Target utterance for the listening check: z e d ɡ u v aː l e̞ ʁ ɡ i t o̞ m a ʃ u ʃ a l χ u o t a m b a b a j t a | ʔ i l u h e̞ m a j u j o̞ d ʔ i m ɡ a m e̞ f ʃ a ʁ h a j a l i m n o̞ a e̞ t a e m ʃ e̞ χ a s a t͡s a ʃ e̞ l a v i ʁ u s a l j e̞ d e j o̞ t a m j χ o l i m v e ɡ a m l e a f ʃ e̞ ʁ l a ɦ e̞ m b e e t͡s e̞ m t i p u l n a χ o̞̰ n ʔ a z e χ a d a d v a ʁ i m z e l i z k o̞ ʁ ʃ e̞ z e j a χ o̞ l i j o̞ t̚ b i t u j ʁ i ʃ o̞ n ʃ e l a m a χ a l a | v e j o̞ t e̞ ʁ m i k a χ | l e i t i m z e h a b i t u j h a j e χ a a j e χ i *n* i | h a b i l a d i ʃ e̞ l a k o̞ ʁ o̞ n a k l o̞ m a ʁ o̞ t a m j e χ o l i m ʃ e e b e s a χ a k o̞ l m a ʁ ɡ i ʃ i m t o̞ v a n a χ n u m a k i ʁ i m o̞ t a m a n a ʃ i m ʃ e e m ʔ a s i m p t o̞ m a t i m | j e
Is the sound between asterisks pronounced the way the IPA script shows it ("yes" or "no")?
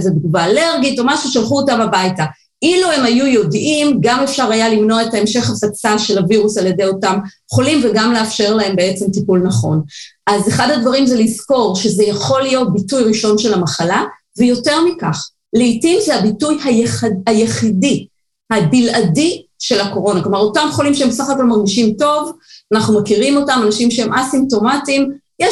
no